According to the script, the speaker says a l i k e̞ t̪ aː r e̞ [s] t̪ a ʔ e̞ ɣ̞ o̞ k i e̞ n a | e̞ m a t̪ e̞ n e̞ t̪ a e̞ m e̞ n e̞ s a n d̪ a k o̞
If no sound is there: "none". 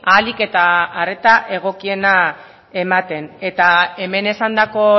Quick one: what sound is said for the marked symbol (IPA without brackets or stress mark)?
none